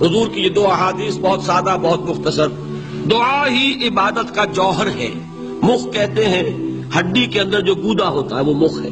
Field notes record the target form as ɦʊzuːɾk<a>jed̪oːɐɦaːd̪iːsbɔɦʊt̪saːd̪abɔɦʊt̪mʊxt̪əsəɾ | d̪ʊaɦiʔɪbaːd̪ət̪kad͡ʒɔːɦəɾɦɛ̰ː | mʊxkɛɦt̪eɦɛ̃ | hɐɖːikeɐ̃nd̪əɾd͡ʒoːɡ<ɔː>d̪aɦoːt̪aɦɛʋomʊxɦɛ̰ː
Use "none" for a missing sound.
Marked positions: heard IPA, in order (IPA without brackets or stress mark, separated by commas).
i, uː